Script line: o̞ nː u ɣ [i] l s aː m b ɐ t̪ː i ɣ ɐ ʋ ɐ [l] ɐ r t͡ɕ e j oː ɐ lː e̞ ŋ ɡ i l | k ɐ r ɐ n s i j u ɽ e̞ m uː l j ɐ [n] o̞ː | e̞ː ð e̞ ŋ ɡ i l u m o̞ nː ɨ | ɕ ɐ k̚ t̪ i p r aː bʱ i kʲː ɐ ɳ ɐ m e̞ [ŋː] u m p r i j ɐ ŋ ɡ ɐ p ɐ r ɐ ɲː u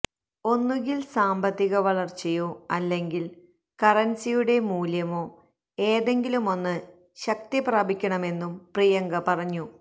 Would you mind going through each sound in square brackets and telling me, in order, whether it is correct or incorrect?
correct, incorrect, incorrect, incorrect

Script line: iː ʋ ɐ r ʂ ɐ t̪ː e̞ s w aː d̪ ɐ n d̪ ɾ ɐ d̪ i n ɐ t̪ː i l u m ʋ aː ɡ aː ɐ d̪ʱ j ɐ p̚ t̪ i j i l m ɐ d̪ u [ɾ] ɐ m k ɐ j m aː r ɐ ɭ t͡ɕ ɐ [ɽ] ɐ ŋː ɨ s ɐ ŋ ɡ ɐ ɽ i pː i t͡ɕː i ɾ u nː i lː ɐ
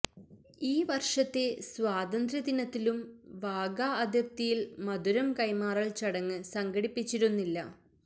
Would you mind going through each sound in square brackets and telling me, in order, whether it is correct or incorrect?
correct, correct

